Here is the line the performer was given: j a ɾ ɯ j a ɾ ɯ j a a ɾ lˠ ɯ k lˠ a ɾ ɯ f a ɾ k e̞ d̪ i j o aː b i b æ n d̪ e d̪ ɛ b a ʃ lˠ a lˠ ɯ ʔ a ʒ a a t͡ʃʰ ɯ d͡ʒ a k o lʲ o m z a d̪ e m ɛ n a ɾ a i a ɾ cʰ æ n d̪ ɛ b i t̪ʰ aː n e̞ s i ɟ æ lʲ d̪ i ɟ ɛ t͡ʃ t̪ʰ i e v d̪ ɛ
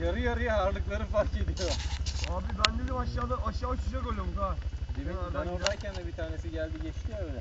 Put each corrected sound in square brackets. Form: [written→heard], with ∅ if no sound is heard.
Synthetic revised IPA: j a ɾ ɯ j a ɾ ɯ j a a ɾ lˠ ɯ k lˠ a ɾ ɯ f a ɾ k e̞ d̪ i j o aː b i b æ n d̪ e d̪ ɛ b a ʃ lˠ a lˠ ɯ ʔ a [ʒ→ʃ] a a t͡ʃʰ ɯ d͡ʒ a k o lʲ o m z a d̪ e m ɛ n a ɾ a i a ɾ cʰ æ n d̪ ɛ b i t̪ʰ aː n e̞ s i ɟ æ lʲ d̪ i ɟ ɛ t͡ʃ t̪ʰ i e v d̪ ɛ

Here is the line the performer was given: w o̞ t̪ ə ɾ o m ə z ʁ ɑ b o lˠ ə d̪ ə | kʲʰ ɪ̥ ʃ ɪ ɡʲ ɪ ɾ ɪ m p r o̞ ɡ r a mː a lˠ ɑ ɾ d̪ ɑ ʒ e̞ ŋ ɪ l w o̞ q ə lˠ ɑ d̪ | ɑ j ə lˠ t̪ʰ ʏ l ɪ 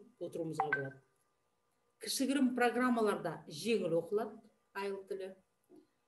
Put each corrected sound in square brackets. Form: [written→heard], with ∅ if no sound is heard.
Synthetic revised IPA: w o̞ t̪ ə ɾ [o→u] m ə z ʁ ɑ b o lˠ [ə→ɑ] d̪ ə | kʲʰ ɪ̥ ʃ ɪ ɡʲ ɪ ɾ ɪ m p r o̞ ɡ r a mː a lˠ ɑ ɾ d̪ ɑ ʒ e̞ ŋ ɪ l w o̞ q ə lˠ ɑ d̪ | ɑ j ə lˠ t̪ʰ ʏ l ɪ

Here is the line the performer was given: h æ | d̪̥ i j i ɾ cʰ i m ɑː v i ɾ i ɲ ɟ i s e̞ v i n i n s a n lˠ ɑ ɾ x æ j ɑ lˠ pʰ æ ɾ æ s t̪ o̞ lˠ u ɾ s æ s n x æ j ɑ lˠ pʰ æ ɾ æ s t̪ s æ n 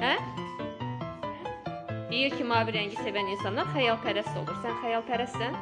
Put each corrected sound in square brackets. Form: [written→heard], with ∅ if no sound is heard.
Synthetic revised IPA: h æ | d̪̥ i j i ɾ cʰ i m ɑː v i ɾ [i→æ] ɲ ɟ i s e̞ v [i→æ] n i n s [a→ɑ] n lˠ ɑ ɾ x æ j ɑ lˠ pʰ æ ɾ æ s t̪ o̞ lˠ u ɾ s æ [s→∅] n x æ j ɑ lˠ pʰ æ ɾ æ s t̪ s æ n

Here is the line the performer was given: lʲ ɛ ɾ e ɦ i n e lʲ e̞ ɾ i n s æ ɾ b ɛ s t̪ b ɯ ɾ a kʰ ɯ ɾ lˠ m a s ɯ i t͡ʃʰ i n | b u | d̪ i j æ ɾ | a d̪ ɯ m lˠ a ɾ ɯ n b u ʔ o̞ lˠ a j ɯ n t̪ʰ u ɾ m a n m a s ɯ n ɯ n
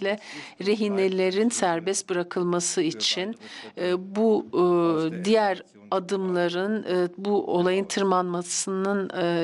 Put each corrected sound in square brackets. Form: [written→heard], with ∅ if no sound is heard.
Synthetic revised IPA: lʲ ɛ ɾ e ɦ i n e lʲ e̞ ɾ i n s æ ɾ b ɛ s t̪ b ɯ ɾ a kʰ ɯ [ɾ→∅] lˠ m a s ɯ i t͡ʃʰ i n | b u | d̪ i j æ ɾ | a d̪ ɯ m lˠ a ɾ ɯ n b u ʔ o̞ lˠ a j ɯ n t̪ʰ [u→ɯ] ɾ m a n m a s ɯ n ɯ n

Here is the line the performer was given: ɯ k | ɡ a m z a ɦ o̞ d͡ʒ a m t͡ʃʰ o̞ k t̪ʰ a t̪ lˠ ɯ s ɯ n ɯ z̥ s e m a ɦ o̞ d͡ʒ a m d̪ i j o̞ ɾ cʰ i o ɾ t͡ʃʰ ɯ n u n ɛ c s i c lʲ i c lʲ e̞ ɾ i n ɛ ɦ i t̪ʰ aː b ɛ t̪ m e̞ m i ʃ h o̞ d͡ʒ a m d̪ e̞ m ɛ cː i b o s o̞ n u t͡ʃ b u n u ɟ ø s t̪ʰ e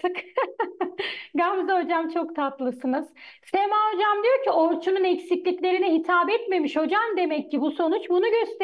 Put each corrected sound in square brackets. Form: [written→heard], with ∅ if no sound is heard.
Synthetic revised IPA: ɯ k | ɡ a m z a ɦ o̞ d͡ʒ a m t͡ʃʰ o̞ k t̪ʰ a t̪ lˠ ɯ s ɯ n ɯ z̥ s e m a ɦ o̞ d͡ʒ a m d̪ i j o̞ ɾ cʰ i o ɾ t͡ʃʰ [ɯ→u] n u n ɛ c s i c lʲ i c lʲ e̞ ɾ i n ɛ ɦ i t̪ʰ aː b ɛ t̪ m e̞ m i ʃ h o̞ d͡ʒ a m d̪ e̞ m ɛ cː i b [o→u] s o̞ n u t͡ʃ b u n u ɟ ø s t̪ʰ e

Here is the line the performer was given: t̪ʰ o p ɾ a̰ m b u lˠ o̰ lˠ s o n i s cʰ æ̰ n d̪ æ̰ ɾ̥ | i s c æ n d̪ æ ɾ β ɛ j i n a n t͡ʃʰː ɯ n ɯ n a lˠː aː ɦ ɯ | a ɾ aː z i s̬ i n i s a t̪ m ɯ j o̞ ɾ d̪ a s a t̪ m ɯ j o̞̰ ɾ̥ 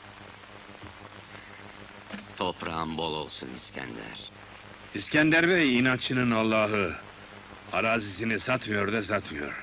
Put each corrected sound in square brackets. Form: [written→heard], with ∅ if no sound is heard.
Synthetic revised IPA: t̪ʰ o p ɾ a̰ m b [u→o] lˠ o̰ lˠ s [o→u] n i s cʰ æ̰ n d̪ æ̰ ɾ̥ | i s c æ n d̪ æ ɾ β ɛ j i n a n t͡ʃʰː ɯ n ɯ n a lˠː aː ɦ ɯ | a ɾ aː z i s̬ i n i s a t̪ m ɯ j o̞ ɾ d̪ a s a t̪ m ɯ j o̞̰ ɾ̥

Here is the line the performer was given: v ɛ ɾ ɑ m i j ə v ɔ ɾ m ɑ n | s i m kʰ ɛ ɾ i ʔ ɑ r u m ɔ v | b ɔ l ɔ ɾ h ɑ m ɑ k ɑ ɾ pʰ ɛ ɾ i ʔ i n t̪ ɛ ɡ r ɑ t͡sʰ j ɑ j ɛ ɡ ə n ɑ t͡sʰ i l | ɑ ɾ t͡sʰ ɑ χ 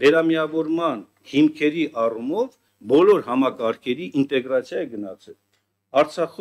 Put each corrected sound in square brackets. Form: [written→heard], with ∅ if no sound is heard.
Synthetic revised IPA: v ɛ ɾ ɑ m i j [ə→ɑ] v ɔ ɾ m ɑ n | [s→h] i m kʰ ɛ ɾ i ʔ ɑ r u m ɔ v | b ɔ l ɔ ɾ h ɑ m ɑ k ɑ ɾ [pʰ→kʰ] ɛ ɾ i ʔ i n t̪ ɛ ɡ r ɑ t͡sʰ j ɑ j ɛ ɡ ə n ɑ t͡sʰ [i→ɛ] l | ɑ ɾ t͡sʰ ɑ χ

